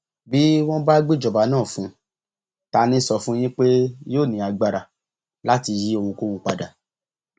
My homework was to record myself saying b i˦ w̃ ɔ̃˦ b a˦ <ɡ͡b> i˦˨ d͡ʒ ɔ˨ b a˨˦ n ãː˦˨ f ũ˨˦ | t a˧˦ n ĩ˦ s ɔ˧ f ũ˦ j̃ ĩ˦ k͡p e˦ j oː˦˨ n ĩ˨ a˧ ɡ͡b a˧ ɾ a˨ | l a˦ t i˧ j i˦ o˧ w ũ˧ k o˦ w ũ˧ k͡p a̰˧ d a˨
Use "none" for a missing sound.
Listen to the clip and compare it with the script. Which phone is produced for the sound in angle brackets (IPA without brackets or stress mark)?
ɡ͡b